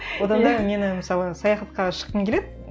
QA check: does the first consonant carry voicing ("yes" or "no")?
yes